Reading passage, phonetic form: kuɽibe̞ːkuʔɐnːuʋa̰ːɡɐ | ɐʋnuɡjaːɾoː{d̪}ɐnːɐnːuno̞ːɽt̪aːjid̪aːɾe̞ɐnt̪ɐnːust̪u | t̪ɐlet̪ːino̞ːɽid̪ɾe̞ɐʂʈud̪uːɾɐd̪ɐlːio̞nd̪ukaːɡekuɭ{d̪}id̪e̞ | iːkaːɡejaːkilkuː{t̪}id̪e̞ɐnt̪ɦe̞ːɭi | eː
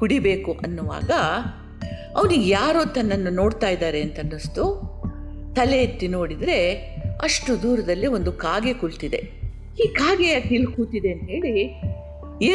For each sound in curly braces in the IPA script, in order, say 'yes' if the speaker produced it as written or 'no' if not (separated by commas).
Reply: no, no, yes